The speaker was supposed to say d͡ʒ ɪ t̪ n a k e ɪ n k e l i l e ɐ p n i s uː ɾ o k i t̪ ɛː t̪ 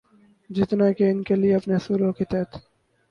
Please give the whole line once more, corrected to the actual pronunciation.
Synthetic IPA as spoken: d͡ʒ ɪ t̪ n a k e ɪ n k e l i e ɐ p n e s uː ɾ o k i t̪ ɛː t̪